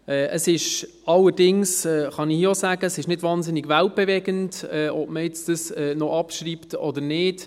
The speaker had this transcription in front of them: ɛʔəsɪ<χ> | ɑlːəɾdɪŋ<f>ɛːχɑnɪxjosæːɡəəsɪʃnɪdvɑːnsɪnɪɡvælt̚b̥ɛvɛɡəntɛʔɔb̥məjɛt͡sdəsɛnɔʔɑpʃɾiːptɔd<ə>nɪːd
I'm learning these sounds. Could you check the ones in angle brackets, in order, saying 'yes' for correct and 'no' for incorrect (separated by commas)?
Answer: no, no, yes